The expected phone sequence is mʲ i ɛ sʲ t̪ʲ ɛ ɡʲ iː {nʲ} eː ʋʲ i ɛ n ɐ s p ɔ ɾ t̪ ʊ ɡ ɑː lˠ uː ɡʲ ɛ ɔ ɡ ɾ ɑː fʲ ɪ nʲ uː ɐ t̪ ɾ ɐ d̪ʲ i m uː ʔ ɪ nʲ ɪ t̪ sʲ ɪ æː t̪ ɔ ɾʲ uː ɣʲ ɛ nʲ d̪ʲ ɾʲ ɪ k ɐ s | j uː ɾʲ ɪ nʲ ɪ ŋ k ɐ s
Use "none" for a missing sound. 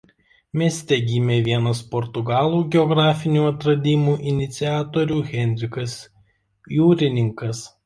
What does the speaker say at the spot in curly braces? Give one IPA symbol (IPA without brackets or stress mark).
mʲ